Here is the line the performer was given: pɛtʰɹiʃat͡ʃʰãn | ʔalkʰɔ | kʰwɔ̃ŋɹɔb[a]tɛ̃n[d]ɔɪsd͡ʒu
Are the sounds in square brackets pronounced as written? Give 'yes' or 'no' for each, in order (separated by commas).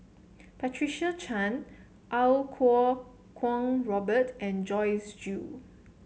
no, no